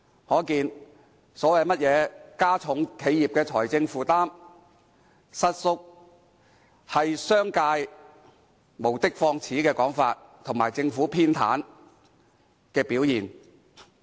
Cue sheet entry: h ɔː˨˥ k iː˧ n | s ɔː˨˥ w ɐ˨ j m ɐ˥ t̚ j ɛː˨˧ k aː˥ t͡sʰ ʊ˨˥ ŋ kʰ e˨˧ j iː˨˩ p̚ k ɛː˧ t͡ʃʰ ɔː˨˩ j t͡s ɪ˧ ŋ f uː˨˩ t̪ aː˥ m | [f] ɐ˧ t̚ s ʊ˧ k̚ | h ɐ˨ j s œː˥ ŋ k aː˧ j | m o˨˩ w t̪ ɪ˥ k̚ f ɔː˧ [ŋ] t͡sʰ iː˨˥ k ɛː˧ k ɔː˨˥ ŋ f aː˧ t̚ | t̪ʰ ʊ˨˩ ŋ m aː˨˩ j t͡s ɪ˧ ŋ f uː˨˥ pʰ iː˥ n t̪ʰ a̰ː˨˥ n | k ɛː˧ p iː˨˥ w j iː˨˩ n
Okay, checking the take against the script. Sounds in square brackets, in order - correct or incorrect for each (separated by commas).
incorrect, correct